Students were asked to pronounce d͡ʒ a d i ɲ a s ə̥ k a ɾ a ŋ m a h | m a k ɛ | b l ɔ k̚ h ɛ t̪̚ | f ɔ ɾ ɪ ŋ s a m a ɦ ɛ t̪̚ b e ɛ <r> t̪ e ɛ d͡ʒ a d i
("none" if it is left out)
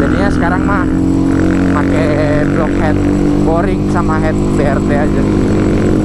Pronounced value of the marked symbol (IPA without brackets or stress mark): r